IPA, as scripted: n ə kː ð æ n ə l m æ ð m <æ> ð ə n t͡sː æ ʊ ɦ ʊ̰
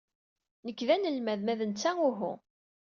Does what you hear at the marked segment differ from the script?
no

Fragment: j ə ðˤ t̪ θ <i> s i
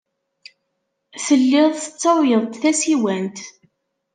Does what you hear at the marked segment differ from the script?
yes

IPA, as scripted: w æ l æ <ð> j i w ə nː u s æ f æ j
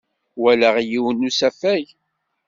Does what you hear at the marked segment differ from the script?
yes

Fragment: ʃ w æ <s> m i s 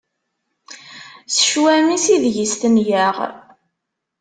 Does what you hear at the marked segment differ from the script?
yes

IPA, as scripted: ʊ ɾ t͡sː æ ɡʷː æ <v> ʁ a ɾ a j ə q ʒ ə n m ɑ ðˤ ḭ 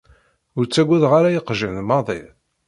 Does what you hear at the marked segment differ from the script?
yes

